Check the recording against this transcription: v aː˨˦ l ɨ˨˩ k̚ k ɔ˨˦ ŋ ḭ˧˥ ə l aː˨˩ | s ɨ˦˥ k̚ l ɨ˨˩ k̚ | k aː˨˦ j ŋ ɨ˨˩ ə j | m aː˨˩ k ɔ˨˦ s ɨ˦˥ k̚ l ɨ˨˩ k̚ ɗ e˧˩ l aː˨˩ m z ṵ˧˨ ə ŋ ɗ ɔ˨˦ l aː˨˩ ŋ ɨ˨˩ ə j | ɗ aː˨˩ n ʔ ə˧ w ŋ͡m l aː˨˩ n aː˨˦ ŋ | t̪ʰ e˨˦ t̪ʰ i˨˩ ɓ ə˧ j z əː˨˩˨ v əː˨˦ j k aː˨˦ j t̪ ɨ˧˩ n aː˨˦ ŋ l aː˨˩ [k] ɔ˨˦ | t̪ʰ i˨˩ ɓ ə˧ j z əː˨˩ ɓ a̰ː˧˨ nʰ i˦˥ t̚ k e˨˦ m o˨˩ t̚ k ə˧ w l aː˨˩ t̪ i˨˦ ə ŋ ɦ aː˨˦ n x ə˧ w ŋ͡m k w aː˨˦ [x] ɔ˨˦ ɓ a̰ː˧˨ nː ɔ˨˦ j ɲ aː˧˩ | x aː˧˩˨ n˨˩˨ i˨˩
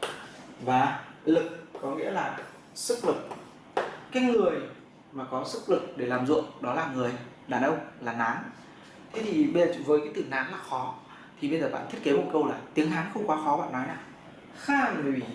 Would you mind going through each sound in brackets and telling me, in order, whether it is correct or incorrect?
incorrect: x, correct

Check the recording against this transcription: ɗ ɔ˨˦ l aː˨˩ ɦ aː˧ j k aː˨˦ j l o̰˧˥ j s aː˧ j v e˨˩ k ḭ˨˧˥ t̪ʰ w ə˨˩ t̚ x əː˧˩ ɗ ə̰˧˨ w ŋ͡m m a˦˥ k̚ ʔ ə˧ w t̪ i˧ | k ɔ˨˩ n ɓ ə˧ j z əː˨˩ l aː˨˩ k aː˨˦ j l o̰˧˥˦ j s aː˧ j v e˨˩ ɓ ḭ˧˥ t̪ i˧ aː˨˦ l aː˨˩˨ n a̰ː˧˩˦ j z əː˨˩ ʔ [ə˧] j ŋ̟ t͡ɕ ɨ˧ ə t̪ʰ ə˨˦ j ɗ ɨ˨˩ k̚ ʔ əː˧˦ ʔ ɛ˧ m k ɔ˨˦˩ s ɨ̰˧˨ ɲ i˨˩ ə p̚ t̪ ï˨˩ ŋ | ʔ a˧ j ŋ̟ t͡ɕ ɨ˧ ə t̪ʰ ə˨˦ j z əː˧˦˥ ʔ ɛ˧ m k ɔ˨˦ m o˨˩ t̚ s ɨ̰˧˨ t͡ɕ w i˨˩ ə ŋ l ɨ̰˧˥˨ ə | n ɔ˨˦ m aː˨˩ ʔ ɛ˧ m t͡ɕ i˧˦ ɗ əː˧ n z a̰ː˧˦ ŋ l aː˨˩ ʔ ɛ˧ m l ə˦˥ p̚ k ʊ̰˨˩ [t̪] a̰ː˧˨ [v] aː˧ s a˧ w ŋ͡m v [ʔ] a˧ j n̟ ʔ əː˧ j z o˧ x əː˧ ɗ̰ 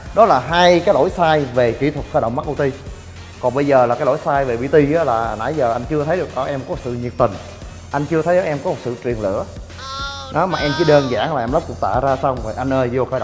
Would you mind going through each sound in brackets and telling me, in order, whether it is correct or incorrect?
incorrect: a˧, correct, incorrect: z, correct

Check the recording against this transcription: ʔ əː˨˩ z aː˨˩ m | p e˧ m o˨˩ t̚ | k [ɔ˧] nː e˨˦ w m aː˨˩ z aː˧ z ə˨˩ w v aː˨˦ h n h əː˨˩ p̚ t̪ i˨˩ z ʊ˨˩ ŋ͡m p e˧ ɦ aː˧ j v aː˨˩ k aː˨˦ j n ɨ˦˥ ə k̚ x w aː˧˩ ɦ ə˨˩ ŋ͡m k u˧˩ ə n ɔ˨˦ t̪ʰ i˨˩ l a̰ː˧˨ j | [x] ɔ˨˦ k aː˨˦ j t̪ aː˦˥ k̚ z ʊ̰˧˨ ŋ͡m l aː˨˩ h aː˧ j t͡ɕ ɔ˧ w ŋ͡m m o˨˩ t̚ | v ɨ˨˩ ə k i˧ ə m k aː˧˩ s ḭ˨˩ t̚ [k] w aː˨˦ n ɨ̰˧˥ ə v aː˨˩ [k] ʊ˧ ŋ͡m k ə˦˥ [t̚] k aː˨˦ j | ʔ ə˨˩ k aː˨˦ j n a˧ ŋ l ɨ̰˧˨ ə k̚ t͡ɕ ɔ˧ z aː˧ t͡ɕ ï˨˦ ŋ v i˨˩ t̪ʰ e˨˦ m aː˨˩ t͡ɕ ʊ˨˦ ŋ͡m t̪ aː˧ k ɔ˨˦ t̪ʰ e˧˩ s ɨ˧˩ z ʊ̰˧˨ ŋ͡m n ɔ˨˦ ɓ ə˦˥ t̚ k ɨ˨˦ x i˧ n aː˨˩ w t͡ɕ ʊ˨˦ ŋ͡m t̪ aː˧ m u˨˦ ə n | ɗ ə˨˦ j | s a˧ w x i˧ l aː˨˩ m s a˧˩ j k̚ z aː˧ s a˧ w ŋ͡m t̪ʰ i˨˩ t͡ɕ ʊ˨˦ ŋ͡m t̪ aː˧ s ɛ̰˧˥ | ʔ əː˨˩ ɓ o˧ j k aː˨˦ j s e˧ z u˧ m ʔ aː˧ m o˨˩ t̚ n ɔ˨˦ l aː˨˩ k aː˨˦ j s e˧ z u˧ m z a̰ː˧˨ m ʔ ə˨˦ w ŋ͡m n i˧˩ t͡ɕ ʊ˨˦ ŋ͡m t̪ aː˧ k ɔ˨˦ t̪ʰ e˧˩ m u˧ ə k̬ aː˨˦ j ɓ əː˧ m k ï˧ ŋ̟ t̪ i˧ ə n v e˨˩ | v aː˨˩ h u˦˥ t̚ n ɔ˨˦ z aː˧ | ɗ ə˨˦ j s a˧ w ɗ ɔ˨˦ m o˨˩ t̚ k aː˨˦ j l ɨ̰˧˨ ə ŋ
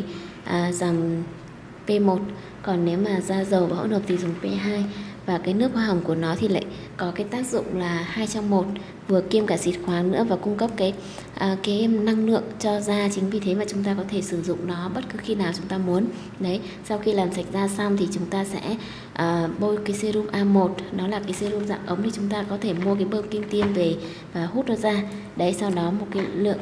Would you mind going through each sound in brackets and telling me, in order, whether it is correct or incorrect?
incorrect: ɔ˨˩, incorrect: k, incorrect: x, correct, incorrect: p̚

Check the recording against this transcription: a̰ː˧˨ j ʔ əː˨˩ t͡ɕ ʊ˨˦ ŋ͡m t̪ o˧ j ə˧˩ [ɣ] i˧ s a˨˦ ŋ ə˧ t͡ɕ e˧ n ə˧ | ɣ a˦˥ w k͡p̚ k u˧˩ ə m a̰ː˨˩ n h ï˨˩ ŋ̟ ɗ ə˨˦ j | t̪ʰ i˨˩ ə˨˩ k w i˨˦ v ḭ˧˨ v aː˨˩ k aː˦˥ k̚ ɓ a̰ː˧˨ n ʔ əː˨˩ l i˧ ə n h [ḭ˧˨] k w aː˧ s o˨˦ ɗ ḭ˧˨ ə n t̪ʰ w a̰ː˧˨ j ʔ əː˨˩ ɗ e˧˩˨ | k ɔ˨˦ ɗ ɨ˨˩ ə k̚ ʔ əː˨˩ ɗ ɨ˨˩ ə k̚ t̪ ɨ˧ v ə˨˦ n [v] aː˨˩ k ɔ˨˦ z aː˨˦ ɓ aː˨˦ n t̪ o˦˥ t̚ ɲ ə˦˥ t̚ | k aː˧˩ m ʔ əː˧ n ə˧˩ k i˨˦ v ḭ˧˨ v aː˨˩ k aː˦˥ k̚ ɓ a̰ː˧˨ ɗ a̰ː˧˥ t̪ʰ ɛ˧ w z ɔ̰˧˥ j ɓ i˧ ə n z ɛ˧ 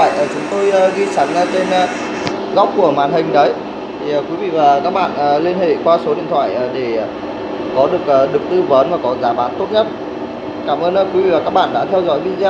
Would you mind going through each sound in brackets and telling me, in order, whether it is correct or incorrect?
correct, incorrect: ḛ˧˨, correct

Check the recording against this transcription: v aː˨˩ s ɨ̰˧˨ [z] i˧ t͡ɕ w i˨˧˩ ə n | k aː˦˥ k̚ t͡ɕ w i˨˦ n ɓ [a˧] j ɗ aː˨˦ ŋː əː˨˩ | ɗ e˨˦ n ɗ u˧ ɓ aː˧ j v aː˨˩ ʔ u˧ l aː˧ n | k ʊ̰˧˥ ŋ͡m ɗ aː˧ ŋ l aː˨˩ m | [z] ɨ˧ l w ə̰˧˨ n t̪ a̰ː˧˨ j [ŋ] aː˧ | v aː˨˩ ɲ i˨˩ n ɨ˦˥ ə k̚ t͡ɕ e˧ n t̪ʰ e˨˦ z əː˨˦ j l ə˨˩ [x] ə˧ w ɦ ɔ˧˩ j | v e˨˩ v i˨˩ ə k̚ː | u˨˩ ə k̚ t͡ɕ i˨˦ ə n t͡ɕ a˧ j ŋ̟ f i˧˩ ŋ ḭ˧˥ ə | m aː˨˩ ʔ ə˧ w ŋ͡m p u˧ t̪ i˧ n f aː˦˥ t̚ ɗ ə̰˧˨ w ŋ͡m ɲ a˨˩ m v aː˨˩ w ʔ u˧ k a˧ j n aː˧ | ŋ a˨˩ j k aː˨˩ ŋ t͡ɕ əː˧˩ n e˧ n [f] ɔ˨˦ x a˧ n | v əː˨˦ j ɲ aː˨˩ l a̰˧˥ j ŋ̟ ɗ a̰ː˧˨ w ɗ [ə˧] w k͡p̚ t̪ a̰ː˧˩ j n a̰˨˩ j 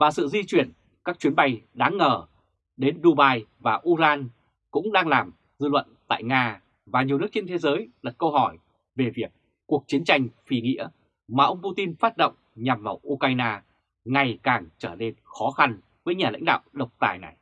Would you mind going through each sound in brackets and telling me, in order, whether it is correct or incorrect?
correct, correct, correct, correct, incorrect: k, incorrect: x, incorrect: ə˨˩

